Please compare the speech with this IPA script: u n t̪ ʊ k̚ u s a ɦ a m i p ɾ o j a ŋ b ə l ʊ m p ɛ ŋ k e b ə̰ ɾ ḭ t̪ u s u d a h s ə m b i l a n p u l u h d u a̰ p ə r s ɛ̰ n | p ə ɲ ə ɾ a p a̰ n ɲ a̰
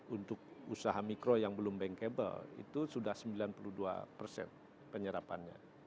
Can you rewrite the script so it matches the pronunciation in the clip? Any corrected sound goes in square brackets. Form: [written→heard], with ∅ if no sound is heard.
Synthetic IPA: u n t̪ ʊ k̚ u s a ɦ a m i [p→k] ɾ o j a ŋ b ə l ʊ m [p→b] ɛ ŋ k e b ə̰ [ɾ→l] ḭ t̪ u s u d a h s ə m b i l a n p u l u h d u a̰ p ə r s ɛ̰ n | p ə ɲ ə ɾ a p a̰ n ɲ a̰